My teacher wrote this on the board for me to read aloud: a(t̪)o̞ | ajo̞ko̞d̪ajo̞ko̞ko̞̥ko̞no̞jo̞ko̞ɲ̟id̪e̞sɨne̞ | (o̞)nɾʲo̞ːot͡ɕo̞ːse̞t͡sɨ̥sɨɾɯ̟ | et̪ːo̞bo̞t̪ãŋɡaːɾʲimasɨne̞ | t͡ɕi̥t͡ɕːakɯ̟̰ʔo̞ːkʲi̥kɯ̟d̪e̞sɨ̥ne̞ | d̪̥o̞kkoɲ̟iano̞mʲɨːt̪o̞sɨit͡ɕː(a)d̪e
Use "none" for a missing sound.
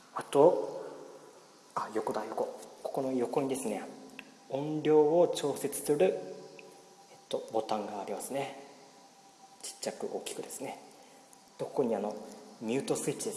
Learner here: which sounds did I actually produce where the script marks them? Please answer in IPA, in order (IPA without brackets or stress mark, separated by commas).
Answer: t̪, õ̞, i